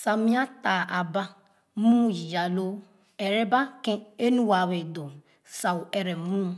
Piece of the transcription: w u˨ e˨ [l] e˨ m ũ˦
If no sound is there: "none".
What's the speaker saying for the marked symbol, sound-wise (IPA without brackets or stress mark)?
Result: ɾ